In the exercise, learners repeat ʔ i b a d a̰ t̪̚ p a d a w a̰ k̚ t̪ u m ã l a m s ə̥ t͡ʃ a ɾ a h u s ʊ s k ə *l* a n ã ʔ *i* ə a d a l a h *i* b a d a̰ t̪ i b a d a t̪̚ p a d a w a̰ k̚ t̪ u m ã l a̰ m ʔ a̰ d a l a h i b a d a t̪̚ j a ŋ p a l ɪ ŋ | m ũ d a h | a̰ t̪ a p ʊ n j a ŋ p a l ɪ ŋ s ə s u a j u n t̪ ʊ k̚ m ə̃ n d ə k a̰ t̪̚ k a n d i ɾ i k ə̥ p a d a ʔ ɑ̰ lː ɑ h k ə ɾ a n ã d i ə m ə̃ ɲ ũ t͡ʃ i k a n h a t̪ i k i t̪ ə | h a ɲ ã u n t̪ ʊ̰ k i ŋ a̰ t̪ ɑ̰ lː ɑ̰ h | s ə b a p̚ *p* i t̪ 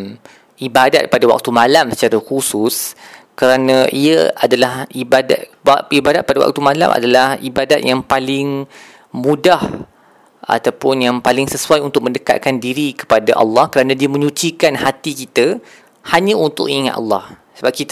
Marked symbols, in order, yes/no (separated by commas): no, yes, yes, no